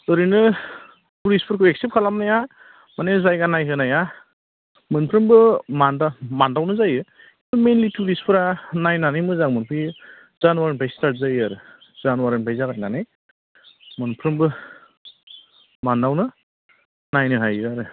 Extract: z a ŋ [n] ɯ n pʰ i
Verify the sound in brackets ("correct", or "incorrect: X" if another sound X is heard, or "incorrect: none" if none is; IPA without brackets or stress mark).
incorrect: m